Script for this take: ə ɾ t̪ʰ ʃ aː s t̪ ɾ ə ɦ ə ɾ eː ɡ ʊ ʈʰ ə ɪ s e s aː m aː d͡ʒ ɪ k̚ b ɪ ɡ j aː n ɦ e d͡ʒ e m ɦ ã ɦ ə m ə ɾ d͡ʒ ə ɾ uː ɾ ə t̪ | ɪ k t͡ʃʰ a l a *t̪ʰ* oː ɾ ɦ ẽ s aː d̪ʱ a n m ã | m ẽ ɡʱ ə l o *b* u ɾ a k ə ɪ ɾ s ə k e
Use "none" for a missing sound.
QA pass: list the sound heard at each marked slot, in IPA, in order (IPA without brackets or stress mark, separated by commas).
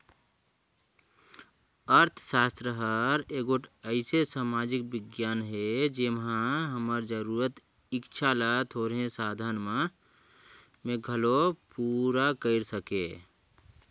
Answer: t̪ʰ, p